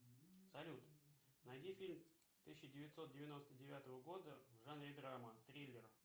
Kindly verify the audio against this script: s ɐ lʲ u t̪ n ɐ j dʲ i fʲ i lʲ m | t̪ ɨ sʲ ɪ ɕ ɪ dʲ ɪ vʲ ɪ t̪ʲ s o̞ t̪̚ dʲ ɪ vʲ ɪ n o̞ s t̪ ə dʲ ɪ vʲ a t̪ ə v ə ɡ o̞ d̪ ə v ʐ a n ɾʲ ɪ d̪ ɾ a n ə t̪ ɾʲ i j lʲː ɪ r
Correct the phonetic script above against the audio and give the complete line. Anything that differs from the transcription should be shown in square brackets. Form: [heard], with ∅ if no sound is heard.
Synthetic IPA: s ɐ lʲ u t̪ n ɐ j dʲ i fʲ i lʲ m | t̪ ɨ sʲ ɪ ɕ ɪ dʲ ɪ vʲ ɪ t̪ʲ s o̞ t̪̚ dʲ ɪ vʲ ɪ n o̞ s t̪ ə dʲ ɪ vʲ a t̪ ə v ə ɡ o̞ d̪ ə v ʐ a n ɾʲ ɪ d̪ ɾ a [m] ə t̪ ɾʲ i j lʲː ɪ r